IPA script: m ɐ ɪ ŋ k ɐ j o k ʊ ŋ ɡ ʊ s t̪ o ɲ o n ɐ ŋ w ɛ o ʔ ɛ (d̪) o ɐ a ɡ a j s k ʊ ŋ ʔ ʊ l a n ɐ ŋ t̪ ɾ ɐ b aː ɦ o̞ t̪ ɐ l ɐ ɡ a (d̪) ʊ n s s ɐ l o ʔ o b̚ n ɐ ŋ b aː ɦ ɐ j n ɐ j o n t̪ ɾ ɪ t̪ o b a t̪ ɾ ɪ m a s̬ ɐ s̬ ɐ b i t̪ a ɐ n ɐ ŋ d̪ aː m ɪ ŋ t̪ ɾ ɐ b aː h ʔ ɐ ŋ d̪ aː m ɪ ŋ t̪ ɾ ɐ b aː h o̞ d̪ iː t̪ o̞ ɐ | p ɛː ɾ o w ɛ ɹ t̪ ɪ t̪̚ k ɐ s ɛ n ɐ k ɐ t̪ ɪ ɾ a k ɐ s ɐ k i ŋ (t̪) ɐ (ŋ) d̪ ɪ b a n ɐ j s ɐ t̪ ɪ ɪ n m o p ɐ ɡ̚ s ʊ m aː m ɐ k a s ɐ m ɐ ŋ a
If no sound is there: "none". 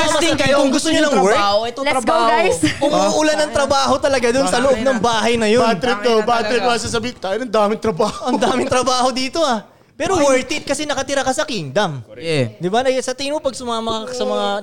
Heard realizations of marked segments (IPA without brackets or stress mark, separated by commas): t̪, d̪, d̪, m